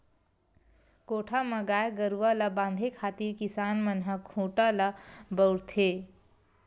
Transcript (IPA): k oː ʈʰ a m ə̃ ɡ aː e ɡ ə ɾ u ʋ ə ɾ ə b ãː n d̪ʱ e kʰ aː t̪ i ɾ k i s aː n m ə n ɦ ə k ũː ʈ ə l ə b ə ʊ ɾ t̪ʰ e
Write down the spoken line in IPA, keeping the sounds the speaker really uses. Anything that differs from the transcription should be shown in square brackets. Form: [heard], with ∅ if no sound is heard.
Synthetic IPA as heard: k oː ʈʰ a m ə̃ ɡ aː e ɡ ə ɾ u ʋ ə [l] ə b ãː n d̪ʱ e kʰ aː t̪ i ɾ k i s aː n m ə n ɦ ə [kʰ] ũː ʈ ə l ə b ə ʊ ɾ t̪ʰ e